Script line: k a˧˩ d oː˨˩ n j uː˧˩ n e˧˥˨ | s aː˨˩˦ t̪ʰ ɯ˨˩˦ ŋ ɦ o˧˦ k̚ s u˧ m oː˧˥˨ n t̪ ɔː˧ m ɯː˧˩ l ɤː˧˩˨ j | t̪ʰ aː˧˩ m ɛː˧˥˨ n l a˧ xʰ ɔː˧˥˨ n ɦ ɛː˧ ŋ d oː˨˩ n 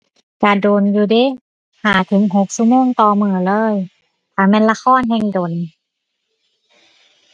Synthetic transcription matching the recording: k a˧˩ d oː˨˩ n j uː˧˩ d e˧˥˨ | h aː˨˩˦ t̪ʰ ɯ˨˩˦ ŋ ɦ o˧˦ k̚ s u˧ m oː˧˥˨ ŋ t̪ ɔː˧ m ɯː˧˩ l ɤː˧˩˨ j | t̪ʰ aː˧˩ m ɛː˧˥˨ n l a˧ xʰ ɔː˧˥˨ n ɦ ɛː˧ ŋ d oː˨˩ n